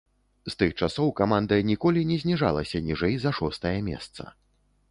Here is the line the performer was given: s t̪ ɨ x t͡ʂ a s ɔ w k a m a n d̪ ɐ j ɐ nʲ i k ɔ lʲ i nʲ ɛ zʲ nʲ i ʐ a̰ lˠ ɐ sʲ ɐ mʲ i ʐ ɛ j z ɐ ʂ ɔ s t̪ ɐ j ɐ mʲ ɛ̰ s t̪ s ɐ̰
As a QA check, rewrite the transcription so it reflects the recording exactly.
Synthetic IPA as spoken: s t̪ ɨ x t͡ʂ a s ɔ w k a m a n d̪ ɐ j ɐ nʲ i k ɔ lʲ i nʲ ɛ zʲ nʲ i ʐ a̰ lˠ ɐ sʲ ɐ nʲ i ʐ ɛ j z ɐ ʂ ɔ s t̪ ɐ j ɐ mʲ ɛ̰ s t̪ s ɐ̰

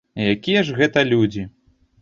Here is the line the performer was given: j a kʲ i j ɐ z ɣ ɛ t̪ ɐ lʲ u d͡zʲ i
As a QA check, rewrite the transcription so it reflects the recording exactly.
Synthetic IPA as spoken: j a kʲ i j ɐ ʐ ɣ ɛ t̪ ɐ lʲ u d͡zʲ i

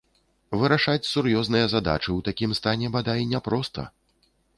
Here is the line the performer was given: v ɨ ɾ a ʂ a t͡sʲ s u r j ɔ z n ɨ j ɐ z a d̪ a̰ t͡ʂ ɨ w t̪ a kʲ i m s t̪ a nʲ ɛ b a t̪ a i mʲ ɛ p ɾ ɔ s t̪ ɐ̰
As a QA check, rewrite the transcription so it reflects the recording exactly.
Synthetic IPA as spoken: v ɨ ɾ a ʂ a t͡sʲ s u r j ɔ z n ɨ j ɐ z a d̪ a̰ t͡ʂ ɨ w t̪ a kʲ i m s t̪ a nʲ ɛ b a d̪ a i nʲ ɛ p ɾ ɔ s t̪ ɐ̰

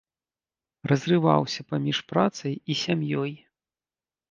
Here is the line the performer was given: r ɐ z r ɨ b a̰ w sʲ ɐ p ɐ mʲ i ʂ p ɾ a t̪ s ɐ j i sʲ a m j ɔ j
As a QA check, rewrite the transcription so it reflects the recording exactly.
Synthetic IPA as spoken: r ɐ z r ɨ v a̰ w sʲ ɐ p a mʲ i ʂ p ɾ a t̪ s ɐ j i sʲ a m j ɔ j

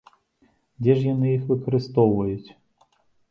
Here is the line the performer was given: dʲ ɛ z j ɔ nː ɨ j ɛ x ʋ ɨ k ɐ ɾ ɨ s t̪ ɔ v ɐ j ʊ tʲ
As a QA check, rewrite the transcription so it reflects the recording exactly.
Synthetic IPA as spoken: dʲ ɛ ʐ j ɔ n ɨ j i x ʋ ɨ k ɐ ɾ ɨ s t̪ ɔ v ɐ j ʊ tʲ

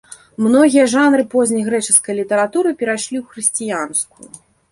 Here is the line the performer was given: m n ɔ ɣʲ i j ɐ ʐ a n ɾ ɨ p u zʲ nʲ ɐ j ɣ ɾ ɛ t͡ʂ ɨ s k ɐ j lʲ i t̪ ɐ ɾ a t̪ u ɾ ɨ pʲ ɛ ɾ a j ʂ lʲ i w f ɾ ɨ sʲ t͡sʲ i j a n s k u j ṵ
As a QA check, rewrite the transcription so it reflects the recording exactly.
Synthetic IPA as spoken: m n ɔ ɣʲ i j ɐ ʐ a n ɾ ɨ p ɔ zʲ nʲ ɐ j ɣ ɾ ɛ t͡ʂ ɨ s k ɐ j lʲ i t̪ ɐ ɾ a t̪ u ɾ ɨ pʲ ɛ ɾ a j ʂ lʲ i w x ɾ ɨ sʲ t͡sʲ i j a n s k u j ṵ

